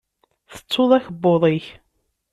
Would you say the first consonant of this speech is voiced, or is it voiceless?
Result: voiceless